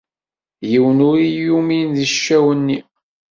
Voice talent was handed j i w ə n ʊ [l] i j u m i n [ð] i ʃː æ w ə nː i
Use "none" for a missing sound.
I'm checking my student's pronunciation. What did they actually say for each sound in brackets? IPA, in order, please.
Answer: ɾ, ð

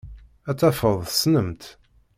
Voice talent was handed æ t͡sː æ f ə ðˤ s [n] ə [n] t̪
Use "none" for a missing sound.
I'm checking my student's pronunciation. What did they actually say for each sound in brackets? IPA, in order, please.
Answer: n, m

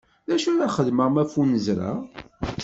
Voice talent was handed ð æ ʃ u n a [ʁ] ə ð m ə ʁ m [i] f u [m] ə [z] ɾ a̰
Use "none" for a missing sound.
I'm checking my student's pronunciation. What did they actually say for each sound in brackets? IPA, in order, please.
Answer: χ, æ, n, z

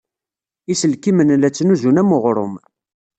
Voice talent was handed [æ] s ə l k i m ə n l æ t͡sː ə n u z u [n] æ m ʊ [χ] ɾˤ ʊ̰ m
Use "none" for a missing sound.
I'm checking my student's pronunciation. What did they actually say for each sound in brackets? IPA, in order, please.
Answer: i, n, ʁ

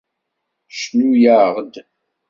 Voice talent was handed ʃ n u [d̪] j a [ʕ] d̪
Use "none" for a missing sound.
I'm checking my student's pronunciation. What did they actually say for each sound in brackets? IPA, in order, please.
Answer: none, ʁ

